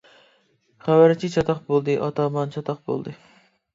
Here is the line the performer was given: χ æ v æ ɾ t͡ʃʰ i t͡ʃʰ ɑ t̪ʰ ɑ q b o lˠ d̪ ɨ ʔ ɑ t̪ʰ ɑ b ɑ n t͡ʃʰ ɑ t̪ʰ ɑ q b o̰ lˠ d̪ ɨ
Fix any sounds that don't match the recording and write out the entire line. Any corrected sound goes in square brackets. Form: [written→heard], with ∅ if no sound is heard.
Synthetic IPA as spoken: χ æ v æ ɾ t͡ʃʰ i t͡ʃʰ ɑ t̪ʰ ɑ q b o lˠ d̪ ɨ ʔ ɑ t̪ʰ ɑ [b→m] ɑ n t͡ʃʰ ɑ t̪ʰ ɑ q b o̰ lˠ d̪ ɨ

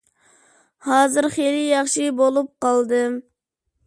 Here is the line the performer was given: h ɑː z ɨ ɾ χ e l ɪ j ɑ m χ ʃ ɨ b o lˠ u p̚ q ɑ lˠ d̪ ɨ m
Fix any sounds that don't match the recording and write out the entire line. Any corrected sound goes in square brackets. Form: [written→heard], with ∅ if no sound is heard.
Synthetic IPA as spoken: h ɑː z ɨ ɾ χ e l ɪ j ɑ [m→∅] χ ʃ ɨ b o lˠ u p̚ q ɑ lˠ d̪ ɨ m

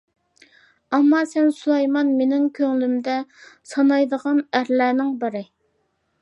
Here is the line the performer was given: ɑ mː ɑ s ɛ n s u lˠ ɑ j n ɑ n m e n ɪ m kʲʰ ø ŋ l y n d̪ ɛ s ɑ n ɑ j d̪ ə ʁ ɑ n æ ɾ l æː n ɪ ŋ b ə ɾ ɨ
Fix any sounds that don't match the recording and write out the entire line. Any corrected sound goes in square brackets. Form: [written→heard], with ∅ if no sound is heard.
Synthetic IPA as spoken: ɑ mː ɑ s ɛ n s u lˠ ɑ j [n→m] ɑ n m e n ɪ [m→ŋ] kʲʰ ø ŋ l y [n→m] d̪ ɛ s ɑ n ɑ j d̪ ə ʁ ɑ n æ ɾ l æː n ɪ ŋ b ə ɾ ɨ

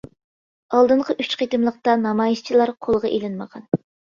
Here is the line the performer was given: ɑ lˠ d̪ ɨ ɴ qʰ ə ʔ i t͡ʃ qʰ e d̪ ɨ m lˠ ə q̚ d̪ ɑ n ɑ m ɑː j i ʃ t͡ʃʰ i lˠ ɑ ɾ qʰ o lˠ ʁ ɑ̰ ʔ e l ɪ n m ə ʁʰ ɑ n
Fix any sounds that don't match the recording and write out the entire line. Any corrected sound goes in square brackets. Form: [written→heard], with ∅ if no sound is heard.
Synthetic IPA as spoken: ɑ lˠ d̪ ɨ ɴ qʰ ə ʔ [i→y] t͡ʃ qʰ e [d̪→t̪] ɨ m lˠ ə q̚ [d̪→t̪] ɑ n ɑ m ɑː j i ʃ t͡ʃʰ i lˠ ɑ ɾ qʰ o lˠ ʁ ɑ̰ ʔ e l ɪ n m ə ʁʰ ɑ n

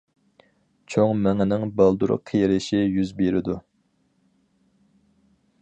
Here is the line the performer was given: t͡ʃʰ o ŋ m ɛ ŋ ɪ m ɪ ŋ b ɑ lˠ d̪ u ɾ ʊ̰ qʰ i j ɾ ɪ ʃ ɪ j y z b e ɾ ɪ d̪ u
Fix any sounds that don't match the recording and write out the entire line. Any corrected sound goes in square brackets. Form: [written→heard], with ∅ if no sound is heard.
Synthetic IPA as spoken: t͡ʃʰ o ŋ m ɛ ŋ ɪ [m→n] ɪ ŋ b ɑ lˠ d̪ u ɾ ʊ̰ qʰ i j ɾ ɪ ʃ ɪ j y z b e ɾ ɪ d̪ u

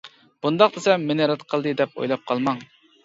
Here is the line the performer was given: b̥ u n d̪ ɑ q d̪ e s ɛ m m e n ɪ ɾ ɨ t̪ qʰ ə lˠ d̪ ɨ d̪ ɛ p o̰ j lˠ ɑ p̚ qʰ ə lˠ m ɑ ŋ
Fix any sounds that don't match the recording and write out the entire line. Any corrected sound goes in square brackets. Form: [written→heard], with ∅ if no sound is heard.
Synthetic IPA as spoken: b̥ u n d̪ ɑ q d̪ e s ɛ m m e n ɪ ɾ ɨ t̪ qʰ ə lˠ d̪ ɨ d̪ ɛ p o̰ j lˠ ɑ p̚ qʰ [ə→ɑ] lˠ m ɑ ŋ

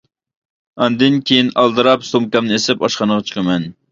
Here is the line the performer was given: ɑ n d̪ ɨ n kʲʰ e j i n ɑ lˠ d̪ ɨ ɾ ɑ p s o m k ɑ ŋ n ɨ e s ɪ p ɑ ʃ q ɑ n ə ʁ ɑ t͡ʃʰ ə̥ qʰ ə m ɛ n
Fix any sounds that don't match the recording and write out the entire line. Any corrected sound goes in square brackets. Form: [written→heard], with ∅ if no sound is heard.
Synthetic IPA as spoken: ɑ n d̪ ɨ n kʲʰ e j i n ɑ lˠ d̪ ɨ ɾ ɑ p s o m k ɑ [ŋ→m] n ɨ e s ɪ p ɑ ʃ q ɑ n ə ʁ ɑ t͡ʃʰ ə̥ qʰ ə m ɛ n

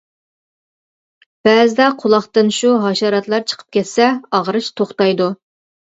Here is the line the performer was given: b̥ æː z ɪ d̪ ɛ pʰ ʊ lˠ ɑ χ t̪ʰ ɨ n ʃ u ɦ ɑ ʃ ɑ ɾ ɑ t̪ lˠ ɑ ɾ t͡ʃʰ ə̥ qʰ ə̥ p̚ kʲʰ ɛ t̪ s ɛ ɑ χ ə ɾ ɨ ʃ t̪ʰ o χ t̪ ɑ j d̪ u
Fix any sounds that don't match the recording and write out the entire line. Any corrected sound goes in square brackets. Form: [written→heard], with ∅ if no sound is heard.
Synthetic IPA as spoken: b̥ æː z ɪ d̪ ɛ [pʰ→qʰ] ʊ lˠ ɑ χ [t̪ʰ→t̪] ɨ n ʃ u ɦ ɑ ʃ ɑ ɾ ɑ t̪ lˠ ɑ ɾ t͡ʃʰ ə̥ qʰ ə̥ p̚ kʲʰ ɛ t̪ s ɛ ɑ [χ→ʁ] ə ɾ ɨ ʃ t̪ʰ o χ t̪ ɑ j d̪ u

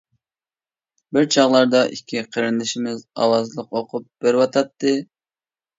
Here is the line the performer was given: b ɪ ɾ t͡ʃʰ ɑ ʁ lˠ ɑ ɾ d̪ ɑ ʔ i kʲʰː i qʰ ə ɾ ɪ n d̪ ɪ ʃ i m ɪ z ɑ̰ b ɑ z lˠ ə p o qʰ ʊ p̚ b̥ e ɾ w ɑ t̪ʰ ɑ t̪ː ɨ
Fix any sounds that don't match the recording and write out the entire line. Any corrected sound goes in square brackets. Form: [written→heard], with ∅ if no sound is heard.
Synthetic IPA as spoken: b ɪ ɾ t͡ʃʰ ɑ ʁ lˠ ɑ ɾ d̪ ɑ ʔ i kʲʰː i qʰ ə ɾ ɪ n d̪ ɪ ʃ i m ɪ z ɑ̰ [b→w] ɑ z lˠ ə [p→q] o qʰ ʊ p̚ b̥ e ɾ w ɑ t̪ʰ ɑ t̪ː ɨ

